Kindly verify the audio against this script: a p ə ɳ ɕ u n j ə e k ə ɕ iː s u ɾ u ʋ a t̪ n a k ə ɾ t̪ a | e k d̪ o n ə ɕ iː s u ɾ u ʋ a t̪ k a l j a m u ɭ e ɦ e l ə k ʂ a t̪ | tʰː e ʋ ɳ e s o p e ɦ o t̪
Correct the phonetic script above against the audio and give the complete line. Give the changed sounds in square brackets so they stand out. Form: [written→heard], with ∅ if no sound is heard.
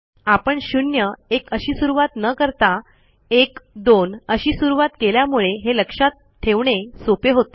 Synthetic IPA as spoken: a p ə ɳ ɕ u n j ə e k ə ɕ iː s u ɾ u ʋ a t̪ n [a→ə] k ə ɾ t̪ a | e k d̪ o n ə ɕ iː s u ɾ u ʋ a t̪ k [a→e] l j a m u ɭ e ɦ e l ə k ʂ a t̪ | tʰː e ʋ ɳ e s o p e ɦ o t̪